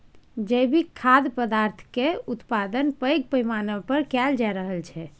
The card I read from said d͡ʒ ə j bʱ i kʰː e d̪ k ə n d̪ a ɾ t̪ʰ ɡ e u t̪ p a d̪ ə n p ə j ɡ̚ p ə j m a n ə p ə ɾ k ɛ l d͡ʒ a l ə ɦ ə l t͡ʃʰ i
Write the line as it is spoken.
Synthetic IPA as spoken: d͡ʒ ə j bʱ i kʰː a d̪ p ə d̪ a ɾ t̪ʰ k e u t̪ p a d̪ ə n p ə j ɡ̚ p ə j m a n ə p ə ɾ k ɛ l d͡ʒ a ɾ ə ɦ ə l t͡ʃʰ ɛ